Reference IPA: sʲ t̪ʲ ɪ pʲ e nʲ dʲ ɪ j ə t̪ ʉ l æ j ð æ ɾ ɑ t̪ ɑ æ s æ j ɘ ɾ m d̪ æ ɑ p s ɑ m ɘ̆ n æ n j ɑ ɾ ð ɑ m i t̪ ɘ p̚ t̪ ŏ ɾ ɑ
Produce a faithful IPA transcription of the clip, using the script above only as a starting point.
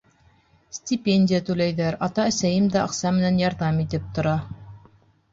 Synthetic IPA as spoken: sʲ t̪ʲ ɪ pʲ e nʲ dʲ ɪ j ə t̪ ʉ l æ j ð æ ɾ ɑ t̪ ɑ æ s æ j ɘ m d̪ æ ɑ q s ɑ m ɘ̆ n æ n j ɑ ɾ ð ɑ m i t̪ ɘ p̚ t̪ ŏ ɾ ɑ